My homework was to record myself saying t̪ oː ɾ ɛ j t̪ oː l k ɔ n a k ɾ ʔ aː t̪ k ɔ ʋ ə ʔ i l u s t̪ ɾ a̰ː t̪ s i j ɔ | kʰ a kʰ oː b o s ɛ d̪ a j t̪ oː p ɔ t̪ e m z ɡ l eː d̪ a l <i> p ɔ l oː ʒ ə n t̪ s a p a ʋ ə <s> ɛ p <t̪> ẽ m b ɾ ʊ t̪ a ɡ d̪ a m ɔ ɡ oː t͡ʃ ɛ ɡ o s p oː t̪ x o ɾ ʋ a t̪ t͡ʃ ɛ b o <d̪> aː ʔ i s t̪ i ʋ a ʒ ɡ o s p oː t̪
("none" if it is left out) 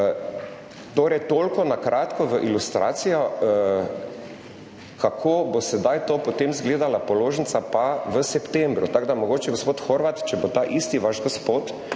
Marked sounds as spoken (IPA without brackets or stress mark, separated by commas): a, s, t̪, t̪